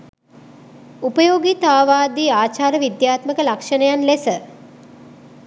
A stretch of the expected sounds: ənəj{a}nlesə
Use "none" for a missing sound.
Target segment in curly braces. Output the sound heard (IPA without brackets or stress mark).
a